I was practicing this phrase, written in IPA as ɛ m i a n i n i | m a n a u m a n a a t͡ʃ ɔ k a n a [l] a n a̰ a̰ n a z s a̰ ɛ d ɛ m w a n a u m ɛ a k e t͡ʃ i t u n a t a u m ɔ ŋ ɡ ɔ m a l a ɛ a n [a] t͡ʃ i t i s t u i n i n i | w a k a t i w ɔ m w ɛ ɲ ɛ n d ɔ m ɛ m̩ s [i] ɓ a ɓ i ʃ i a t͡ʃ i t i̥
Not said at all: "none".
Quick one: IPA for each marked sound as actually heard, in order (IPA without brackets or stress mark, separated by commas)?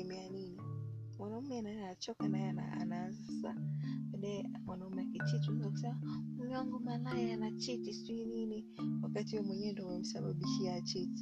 none, a, a